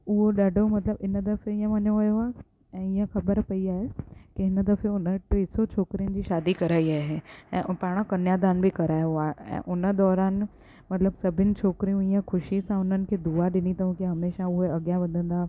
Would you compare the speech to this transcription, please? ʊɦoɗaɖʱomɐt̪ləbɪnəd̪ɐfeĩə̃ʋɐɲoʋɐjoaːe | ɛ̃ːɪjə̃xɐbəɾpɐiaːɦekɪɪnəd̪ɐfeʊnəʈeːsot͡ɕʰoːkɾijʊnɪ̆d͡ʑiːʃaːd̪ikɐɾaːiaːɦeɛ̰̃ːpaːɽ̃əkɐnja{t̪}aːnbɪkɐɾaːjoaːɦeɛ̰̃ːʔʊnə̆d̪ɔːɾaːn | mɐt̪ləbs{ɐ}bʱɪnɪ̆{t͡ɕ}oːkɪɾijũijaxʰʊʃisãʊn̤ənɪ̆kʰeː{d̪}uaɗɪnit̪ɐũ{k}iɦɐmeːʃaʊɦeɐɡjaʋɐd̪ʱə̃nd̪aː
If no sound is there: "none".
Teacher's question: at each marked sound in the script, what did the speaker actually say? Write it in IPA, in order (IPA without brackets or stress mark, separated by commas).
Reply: d̪, ɐ, t͡ɕʰ, d̪, k